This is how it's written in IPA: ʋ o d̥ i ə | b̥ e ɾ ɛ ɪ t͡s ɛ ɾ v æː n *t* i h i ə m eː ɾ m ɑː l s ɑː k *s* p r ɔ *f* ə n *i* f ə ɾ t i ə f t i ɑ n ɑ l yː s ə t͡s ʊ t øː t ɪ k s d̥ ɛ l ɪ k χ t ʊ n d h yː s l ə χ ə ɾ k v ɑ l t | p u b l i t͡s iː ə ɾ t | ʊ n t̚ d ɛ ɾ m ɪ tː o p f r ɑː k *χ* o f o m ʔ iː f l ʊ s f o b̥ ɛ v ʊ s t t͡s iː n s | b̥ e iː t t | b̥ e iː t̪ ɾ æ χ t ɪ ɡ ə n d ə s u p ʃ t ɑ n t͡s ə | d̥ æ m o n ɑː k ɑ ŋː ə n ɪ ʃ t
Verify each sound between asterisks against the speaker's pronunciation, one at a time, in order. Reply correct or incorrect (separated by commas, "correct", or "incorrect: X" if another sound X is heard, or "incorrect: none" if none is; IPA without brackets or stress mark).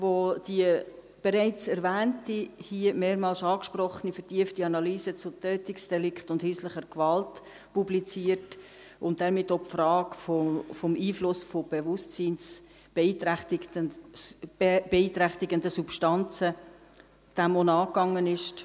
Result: correct, incorrect: ʃ, incorrect: χ, correct, incorrect: f